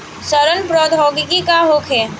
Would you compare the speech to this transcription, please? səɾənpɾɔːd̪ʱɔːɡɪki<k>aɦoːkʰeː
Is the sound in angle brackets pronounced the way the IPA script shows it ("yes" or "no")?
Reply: yes